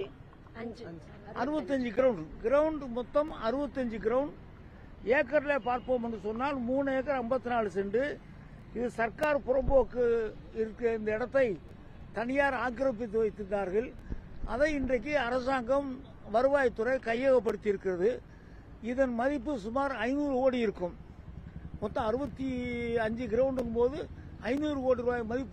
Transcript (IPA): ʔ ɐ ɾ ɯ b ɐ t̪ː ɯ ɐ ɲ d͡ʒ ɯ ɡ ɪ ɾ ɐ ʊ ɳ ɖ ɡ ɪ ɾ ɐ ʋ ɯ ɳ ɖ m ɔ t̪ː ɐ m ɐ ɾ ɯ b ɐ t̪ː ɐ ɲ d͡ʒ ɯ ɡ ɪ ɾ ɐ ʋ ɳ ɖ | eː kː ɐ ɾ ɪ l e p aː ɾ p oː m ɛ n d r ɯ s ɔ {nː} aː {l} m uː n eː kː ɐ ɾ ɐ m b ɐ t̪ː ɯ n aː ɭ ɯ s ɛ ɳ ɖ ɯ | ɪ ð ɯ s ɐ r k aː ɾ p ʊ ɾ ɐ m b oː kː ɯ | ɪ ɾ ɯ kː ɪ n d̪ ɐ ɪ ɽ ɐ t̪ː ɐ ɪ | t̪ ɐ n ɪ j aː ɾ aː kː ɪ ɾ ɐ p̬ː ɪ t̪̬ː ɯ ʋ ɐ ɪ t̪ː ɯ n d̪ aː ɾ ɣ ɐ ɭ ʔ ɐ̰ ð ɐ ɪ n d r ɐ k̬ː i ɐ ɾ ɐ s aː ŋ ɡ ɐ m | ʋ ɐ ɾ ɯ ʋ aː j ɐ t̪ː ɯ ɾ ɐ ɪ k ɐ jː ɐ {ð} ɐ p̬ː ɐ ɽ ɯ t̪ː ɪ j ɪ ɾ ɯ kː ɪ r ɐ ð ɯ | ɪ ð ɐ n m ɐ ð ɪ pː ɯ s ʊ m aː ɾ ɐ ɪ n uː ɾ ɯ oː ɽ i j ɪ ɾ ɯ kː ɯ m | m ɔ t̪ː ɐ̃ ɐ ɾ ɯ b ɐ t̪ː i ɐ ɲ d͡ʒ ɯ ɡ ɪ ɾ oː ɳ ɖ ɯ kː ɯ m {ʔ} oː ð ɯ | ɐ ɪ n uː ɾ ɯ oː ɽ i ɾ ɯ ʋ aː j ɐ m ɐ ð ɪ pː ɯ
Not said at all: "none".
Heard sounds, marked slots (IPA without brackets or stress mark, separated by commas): nː, l, ɣ, p